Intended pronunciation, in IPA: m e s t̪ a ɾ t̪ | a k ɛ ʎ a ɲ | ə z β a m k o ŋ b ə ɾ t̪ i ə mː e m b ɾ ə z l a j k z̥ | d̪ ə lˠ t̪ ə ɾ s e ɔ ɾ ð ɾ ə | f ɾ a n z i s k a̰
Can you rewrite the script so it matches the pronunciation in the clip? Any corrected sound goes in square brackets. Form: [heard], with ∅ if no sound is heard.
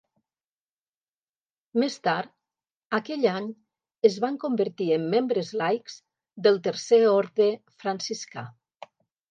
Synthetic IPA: m e s t̪ a ɾ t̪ | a k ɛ ʎ a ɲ | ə z β a [ŋ] k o [m] b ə ɾ t̪ i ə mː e m b ɾ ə z l a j k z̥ | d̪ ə lˠ t̪ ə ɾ s e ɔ ɾ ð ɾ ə | f ɾ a n [s] i s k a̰